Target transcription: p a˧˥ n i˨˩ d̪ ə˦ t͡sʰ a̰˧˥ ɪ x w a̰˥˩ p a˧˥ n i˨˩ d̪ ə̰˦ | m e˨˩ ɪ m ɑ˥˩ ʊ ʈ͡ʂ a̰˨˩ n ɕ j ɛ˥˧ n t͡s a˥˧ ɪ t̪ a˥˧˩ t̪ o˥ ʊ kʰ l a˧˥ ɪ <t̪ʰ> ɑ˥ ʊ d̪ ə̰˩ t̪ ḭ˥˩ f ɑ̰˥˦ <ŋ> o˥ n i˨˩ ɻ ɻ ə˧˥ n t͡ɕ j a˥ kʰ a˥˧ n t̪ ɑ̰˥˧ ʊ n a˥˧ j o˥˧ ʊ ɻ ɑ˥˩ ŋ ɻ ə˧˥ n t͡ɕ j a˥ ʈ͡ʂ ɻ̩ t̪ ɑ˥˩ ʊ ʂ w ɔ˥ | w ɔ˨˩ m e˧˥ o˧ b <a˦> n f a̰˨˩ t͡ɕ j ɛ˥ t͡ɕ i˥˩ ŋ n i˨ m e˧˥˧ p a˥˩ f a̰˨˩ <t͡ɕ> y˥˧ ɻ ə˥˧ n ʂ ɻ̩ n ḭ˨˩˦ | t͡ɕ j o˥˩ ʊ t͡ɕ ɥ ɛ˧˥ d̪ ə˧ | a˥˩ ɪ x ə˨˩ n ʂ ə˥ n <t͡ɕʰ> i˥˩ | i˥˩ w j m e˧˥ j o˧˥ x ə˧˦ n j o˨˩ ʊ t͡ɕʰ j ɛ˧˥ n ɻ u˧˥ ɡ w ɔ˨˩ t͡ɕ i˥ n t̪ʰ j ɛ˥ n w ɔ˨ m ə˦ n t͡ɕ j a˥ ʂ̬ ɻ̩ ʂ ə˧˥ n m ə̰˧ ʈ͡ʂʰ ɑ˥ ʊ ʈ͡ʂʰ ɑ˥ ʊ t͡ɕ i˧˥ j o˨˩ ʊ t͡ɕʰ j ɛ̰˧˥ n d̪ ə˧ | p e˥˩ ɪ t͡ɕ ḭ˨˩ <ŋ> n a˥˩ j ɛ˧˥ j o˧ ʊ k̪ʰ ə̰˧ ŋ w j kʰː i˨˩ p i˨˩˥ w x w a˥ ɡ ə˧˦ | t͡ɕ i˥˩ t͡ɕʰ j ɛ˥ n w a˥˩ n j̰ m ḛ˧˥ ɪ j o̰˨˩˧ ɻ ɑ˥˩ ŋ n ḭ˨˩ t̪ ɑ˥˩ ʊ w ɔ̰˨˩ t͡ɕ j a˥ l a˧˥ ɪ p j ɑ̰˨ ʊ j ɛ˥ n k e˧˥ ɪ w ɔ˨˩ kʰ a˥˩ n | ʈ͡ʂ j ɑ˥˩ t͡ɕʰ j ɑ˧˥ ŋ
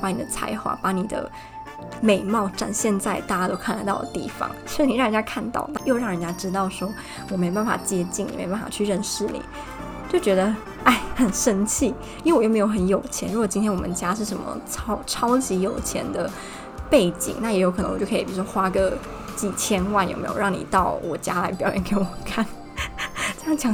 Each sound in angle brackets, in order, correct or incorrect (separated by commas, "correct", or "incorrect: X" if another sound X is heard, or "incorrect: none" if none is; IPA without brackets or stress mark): incorrect: t̪, correct, incorrect: a˥˩, incorrect: t͡ɕʰ, correct, correct